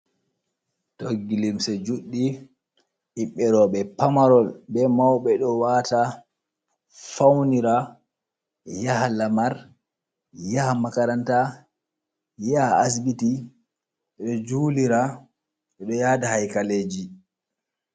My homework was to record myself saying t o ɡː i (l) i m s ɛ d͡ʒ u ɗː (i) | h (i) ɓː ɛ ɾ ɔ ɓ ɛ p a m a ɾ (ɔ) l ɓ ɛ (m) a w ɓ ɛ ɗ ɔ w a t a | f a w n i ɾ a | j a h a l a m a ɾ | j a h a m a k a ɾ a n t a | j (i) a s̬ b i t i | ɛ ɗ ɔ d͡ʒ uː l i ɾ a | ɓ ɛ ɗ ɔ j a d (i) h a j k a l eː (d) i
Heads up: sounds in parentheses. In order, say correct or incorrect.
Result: correct, correct, correct, correct, correct, incorrect: a, incorrect: a, incorrect: d͡ʒ

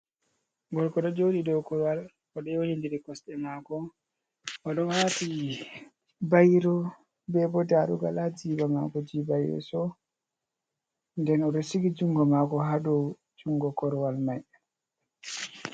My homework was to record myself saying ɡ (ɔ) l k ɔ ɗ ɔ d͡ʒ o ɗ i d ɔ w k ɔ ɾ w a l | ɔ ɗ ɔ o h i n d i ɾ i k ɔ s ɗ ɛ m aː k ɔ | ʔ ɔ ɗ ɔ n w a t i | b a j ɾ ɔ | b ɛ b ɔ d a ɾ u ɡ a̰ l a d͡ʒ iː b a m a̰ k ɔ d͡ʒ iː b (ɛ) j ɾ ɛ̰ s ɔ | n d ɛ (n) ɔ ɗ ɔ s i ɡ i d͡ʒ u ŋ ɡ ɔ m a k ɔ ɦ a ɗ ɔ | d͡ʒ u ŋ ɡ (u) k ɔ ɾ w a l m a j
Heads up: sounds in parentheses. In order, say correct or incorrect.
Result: correct, incorrect: a, correct, incorrect: ɔ

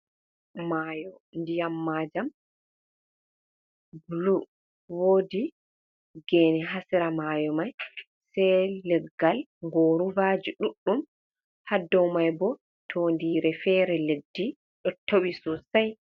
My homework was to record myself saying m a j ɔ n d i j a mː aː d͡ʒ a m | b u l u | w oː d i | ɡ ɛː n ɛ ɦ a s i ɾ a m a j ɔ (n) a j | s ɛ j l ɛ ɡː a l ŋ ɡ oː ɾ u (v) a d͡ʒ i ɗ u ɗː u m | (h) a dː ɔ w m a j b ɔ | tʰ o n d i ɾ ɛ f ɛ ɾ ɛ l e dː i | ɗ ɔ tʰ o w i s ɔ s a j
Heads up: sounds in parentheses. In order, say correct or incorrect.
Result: incorrect: m, correct, correct

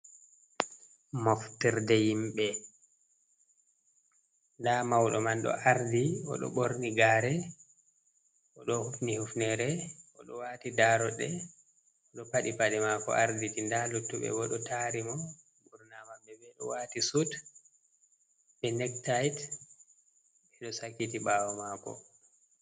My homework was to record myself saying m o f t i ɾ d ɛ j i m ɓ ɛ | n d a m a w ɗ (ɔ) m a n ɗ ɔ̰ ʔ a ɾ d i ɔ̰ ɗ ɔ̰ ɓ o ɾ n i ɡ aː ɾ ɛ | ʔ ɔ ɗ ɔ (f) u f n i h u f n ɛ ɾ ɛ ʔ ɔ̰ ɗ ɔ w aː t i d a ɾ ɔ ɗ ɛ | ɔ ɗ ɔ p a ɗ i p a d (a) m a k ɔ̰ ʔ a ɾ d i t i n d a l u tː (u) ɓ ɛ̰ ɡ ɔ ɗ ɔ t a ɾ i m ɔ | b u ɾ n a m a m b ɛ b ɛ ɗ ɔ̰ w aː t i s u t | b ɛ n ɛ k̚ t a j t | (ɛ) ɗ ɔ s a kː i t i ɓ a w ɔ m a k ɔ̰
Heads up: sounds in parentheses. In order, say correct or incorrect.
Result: correct, incorrect: h, incorrect: ɛ, correct, correct

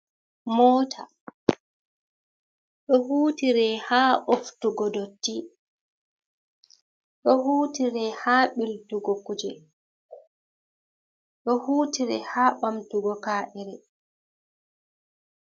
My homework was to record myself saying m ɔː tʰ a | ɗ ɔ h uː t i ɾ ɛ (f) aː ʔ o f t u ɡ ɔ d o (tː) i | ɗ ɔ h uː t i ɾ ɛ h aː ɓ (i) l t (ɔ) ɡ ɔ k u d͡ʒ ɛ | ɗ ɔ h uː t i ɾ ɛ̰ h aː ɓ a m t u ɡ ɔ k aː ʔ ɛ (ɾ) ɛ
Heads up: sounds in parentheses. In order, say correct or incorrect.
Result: incorrect: h, correct, correct, incorrect: u, correct

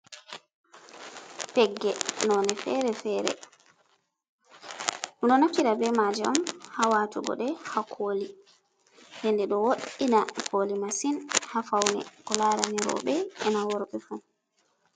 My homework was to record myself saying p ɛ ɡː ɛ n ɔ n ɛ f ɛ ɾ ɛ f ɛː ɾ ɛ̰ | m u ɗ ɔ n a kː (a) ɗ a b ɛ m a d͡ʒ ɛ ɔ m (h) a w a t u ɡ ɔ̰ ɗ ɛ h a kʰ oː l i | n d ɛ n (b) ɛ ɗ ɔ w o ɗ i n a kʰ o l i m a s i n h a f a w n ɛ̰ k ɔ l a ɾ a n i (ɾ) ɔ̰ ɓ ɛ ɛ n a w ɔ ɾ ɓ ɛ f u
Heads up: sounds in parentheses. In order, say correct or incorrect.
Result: incorrect: i, correct, incorrect: d, correct

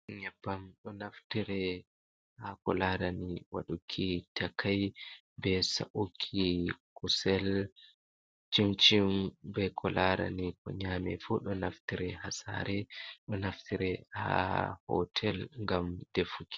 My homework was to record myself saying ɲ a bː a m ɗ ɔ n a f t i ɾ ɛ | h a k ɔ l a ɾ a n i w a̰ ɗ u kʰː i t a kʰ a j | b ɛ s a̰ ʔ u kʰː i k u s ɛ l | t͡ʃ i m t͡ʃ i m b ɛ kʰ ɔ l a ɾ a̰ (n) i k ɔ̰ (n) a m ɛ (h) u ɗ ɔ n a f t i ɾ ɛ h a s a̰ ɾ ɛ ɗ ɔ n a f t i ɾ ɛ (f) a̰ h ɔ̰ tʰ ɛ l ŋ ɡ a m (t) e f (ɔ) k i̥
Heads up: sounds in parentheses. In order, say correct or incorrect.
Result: correct, incorrect: ɲ, incorrect: f, incorrect: h, incorrect: d, incorrect: u

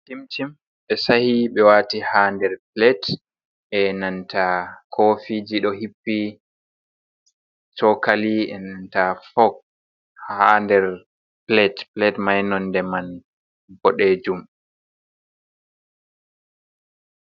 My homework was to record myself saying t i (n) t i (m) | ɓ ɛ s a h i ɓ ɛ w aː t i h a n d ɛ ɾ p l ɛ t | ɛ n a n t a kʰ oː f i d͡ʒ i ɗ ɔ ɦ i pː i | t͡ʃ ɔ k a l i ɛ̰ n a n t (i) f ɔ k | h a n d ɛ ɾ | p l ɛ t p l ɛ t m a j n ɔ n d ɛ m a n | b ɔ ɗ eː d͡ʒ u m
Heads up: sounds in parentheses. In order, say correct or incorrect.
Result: incorrect: m, correct, incorrect: a

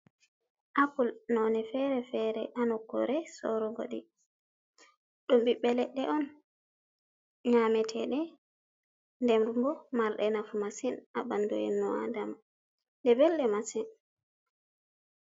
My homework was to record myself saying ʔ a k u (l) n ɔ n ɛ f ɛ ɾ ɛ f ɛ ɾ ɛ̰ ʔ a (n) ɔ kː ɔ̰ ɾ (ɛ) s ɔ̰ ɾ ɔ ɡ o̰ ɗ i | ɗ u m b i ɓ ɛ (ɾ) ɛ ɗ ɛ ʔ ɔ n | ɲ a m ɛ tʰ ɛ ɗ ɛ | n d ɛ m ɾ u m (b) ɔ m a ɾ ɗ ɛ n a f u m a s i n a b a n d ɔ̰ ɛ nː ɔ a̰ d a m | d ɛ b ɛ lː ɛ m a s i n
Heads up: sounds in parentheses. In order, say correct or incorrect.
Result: correct, correct, correct, incorrect: l, correct

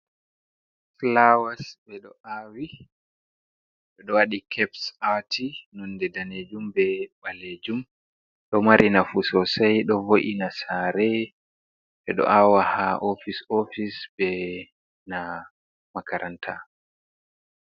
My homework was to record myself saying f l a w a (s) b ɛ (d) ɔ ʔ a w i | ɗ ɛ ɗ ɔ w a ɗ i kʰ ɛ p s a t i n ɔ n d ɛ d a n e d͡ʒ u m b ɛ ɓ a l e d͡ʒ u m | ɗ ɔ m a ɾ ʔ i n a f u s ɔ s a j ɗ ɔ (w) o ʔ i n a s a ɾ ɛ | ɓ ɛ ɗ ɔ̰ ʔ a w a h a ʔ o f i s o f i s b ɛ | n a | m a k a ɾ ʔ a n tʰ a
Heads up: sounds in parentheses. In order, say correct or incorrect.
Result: correct, incorrect: ɗ, incorrect: v

